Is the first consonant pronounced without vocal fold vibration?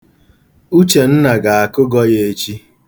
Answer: yes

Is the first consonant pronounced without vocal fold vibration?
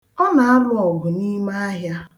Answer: no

